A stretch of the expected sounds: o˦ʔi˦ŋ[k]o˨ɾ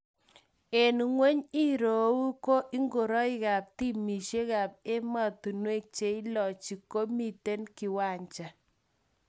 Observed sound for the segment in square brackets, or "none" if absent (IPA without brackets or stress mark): ɡ